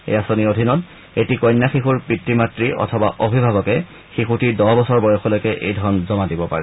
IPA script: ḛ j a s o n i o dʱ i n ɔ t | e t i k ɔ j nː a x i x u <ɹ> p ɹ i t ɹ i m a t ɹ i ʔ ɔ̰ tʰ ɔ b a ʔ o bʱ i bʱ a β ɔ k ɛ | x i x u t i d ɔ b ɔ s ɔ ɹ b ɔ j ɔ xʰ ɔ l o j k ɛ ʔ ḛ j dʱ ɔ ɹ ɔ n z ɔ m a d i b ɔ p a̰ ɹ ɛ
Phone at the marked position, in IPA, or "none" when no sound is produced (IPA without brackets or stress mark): ɹ